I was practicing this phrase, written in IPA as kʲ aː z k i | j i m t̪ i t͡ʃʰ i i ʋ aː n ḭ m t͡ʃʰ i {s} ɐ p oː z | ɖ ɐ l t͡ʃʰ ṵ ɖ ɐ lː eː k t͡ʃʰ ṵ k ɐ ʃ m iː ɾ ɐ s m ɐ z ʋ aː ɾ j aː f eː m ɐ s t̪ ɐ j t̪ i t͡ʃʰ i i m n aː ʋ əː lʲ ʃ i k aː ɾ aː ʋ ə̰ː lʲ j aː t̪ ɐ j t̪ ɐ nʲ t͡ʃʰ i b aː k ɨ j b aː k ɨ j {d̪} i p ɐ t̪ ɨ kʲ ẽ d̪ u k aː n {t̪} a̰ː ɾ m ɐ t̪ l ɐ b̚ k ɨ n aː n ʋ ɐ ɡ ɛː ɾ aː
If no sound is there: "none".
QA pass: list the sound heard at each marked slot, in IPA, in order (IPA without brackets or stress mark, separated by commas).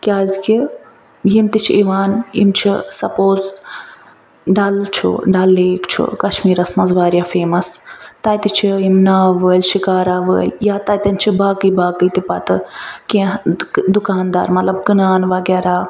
s, t̪, d̪